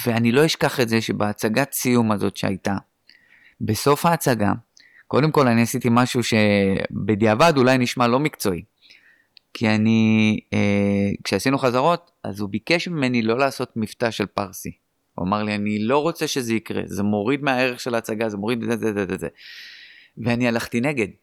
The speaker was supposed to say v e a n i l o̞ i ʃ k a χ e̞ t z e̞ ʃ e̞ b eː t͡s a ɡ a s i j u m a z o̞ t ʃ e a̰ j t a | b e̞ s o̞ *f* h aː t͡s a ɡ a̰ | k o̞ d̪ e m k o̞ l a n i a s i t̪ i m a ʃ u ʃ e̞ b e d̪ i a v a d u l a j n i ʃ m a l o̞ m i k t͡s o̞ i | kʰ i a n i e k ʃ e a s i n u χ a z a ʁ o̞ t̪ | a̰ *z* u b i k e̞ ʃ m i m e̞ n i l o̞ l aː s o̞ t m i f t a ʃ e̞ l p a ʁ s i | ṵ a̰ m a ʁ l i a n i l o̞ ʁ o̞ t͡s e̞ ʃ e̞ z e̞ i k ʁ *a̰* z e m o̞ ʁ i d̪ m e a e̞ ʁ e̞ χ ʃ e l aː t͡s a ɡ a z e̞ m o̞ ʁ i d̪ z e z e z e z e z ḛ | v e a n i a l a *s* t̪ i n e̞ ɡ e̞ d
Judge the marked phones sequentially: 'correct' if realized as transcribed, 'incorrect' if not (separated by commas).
correct, correct, incorrect, incorrect